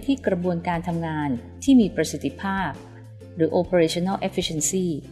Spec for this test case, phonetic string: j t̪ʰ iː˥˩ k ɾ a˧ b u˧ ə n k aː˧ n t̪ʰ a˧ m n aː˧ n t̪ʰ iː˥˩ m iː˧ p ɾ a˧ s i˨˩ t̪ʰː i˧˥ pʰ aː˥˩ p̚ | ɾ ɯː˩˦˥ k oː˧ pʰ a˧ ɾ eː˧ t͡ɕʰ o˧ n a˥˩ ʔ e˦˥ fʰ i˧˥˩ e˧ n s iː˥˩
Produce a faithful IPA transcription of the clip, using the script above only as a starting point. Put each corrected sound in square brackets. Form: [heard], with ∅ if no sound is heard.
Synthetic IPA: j t̪ʰ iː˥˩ k ɾ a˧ b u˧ ə n k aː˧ n t̪ʰ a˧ m [ŋ] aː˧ n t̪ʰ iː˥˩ m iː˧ p ɾ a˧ s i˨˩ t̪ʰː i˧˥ pʰ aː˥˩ p̚ | ɾ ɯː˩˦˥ [ʔ] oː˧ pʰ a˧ ɾ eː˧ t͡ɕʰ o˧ n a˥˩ ʔ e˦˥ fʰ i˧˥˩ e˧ n s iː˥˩